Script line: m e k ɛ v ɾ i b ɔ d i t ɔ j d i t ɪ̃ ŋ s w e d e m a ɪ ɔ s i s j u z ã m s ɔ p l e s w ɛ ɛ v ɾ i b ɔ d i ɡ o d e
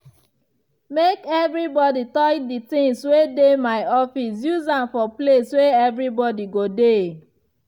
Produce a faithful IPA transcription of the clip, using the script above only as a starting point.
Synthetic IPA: m e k ɛ v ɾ i b ɔ d i t ɔ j d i t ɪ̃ ŋ s w e d e m a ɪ ɔ f i s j u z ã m f ɔ p l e s w e ɛ v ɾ i b ɔ d i ɡ o d e